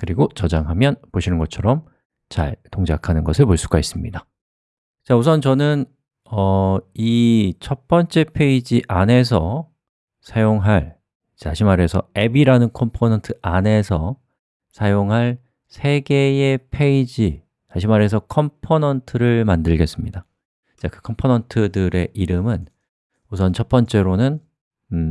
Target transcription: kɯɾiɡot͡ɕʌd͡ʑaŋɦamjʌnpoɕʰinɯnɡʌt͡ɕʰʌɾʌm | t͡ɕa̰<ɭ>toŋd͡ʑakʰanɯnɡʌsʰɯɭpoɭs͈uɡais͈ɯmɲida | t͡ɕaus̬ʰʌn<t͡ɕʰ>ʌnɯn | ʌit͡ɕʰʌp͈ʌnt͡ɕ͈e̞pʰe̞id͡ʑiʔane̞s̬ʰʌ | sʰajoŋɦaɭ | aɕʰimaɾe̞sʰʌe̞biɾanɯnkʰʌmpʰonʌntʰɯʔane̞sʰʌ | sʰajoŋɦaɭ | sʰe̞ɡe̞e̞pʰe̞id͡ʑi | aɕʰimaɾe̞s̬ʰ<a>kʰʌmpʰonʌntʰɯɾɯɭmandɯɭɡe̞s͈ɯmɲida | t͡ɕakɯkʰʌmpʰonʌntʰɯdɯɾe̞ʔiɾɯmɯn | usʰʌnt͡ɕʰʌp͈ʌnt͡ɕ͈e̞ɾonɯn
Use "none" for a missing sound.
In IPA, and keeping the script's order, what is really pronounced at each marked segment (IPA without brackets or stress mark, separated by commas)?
ɭ, t͡ɕ, ʌ